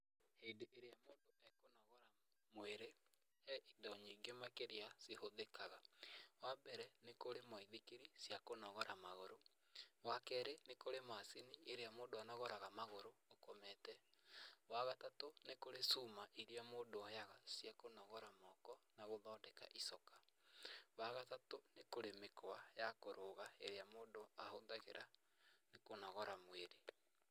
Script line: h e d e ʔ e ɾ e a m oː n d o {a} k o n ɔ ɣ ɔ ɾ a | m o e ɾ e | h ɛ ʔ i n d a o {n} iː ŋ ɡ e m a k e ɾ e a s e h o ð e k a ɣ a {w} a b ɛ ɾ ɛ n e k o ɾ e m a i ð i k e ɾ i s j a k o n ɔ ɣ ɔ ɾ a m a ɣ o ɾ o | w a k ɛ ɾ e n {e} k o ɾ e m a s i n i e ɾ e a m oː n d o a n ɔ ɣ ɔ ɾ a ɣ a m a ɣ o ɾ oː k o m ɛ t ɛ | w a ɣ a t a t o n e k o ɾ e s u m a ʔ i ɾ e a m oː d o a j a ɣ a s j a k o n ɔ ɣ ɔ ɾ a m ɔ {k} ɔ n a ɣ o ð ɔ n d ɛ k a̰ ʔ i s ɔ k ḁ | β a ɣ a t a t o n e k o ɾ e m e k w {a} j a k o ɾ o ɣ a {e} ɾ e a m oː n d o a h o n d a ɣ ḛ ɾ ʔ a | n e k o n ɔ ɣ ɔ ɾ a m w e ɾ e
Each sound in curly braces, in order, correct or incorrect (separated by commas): incorrect, incorrect, correct, correct, correct, correct, correct